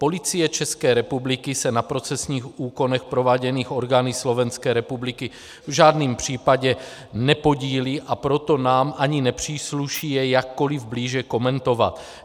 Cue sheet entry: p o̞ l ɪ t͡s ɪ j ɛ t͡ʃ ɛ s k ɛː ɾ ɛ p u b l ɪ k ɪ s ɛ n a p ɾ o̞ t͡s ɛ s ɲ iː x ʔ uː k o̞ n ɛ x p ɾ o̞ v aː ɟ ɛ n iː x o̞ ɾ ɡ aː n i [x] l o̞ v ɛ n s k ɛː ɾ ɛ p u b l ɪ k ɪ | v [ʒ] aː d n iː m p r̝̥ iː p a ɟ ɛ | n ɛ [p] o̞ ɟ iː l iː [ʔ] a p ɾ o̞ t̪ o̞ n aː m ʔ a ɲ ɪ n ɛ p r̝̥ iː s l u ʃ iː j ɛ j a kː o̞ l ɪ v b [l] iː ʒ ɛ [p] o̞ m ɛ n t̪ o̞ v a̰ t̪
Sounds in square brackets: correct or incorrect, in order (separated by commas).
incorrect, correct, correct, correct, correct, incorrect